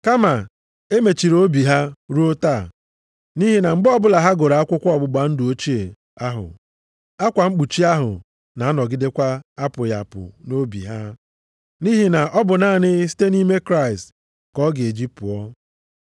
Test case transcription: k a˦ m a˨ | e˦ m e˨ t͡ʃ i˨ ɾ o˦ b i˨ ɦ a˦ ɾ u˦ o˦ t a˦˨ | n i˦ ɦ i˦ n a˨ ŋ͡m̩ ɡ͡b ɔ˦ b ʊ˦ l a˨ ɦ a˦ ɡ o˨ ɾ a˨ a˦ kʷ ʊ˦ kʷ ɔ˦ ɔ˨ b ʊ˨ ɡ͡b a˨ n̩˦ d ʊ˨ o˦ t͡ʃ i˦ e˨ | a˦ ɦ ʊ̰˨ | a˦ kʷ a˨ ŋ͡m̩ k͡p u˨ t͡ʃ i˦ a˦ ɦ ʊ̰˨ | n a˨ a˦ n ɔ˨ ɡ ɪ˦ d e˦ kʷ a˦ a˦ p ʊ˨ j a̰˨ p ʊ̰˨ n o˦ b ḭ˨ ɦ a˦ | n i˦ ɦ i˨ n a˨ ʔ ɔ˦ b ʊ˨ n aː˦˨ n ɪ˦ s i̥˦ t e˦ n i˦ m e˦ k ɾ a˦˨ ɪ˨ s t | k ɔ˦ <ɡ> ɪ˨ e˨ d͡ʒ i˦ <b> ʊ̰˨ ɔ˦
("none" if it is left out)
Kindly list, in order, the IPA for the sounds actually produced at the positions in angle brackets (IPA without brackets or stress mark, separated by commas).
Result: ɡ, p